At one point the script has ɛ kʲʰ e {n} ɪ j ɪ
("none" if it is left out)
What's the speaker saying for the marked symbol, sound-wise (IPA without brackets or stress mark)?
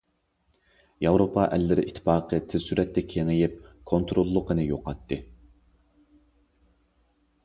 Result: ŋ